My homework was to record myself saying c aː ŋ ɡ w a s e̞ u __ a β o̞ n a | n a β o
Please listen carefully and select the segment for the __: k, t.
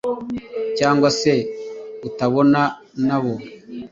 t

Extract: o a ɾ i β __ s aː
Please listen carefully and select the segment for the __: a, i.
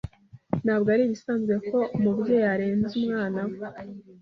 i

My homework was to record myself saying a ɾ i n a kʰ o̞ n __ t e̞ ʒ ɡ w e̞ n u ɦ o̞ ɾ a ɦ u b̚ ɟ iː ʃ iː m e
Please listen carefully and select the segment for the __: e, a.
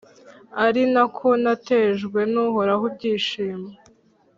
a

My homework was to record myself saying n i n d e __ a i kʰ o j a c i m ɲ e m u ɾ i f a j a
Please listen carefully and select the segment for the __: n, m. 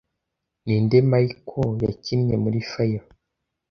m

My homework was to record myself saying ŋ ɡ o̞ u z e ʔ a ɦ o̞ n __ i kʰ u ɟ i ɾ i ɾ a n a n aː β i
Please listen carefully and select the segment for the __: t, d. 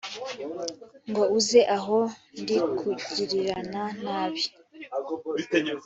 d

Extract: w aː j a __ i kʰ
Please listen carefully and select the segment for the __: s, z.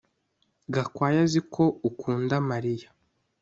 z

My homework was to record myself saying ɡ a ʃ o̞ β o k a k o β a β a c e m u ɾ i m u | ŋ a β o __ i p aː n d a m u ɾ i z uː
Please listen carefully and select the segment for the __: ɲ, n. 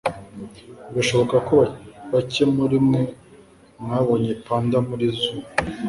ɲ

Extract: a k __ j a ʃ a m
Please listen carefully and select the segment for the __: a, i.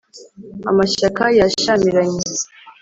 a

